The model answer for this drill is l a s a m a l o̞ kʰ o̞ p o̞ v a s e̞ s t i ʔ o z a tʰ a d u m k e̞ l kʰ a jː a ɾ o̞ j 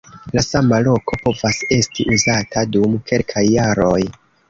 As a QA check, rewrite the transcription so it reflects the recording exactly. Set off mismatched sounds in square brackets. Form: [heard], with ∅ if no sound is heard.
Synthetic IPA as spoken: l a s a m a l o̞ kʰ o̞ p o̞ v a s e̞ s t i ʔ [u] z a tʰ a d u m k e̞ l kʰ a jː a ɾ o̞ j